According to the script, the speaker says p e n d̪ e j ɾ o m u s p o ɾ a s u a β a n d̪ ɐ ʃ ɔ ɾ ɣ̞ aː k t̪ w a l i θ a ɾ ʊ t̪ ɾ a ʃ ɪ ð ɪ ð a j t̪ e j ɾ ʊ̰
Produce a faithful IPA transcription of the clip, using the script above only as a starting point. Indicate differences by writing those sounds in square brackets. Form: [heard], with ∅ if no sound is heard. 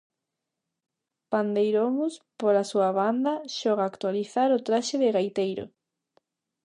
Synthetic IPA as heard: p [a] n d̪ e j ɾ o m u s p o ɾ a s u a β a n d̪ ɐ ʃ ɔ [∅] ɣ̞ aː k t̪ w a l i θ a ɾ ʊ t̪ ɾ a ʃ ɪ ð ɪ [ɣ] a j t̪ e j ɾ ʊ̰